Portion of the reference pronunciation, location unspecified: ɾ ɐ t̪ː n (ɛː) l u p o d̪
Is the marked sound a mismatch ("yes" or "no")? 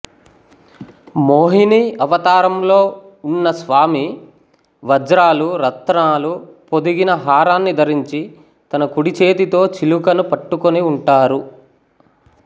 yes